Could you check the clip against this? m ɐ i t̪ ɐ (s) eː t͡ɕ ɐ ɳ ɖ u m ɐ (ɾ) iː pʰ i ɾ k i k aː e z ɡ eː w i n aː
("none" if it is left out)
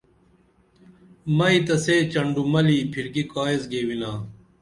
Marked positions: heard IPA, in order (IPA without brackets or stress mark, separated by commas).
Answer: s, l